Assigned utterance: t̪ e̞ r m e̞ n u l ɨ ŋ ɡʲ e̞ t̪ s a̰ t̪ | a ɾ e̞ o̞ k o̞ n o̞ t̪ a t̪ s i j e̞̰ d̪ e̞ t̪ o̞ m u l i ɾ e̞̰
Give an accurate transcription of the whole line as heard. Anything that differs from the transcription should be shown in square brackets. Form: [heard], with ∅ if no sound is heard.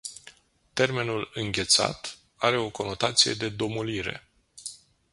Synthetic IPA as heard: t̪ e̞ r m e̞ n u l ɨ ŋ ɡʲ e̞ t̪ s a̰ t̪ | a ɾ e̞ o̞ k o̞ n o̞ t̪ a t̪ s i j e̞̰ d̪ e̞ [d̪] o̞ m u l i ɾ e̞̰